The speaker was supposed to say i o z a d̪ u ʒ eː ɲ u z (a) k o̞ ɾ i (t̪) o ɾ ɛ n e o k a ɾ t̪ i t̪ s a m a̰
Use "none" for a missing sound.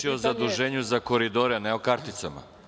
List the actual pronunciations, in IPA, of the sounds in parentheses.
a, d̪

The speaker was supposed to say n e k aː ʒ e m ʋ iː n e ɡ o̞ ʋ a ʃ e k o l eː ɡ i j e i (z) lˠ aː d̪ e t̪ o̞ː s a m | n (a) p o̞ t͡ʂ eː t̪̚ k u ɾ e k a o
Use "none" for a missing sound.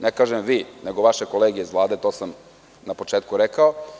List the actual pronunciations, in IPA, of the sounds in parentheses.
z, a

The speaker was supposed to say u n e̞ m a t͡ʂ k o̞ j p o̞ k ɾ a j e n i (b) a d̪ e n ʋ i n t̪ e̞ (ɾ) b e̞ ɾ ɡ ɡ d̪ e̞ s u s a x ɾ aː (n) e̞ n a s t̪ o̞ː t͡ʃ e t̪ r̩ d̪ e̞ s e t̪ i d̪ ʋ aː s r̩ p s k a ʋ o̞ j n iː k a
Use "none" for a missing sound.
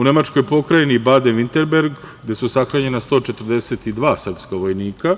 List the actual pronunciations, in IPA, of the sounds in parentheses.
b, ɾ, ɲ

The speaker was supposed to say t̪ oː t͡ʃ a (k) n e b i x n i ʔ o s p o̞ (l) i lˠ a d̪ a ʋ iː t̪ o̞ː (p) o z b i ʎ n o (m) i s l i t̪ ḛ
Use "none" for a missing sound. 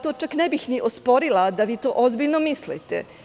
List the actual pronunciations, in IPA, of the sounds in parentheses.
k, ɾ, ʔ, m

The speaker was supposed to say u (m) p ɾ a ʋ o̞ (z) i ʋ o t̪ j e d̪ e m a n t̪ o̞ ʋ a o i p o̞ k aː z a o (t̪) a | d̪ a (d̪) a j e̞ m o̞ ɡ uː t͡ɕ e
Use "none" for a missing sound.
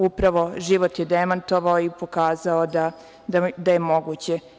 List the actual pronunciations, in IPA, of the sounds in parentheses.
none, ʒ, d̪, d̪

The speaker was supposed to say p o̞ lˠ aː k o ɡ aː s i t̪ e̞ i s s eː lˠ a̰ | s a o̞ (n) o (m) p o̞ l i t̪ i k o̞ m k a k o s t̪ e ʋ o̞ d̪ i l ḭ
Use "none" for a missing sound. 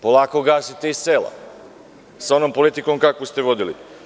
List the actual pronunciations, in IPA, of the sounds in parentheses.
n, m

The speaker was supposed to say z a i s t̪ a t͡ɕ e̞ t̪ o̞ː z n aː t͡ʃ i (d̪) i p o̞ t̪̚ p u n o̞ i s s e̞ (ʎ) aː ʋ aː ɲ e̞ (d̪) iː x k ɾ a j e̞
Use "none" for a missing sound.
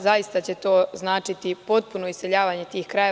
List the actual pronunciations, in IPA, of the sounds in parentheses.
t̪, ʎ, t̪

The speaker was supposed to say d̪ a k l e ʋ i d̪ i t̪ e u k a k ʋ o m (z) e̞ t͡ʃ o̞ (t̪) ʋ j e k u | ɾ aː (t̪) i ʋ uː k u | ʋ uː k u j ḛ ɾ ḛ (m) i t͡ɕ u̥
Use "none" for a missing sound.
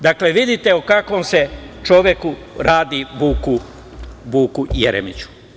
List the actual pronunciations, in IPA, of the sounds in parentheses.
s, none, d̪, m

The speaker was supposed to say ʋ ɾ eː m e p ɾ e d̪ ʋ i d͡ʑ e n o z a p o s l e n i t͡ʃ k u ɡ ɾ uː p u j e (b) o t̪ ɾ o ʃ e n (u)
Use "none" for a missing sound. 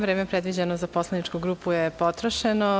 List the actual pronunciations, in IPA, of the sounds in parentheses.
p, o

